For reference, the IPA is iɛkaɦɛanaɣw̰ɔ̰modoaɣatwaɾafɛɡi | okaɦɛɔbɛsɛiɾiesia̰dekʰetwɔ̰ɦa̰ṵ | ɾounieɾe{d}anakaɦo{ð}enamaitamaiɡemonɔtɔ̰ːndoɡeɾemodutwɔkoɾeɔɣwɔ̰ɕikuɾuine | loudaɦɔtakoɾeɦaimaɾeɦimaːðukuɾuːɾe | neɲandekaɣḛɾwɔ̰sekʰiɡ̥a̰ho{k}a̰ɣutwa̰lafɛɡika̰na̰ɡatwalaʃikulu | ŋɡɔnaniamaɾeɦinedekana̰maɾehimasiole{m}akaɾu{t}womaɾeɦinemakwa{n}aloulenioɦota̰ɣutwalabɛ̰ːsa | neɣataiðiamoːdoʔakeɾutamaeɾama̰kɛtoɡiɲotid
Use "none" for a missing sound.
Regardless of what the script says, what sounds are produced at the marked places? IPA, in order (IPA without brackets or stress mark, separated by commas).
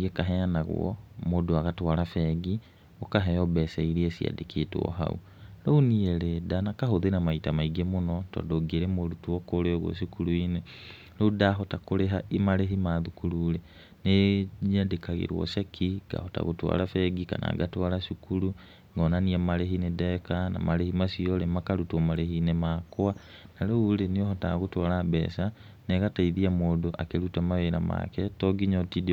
d, ð, t, m, t, n